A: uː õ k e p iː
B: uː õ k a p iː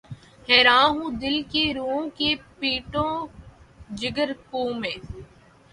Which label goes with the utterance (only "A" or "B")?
A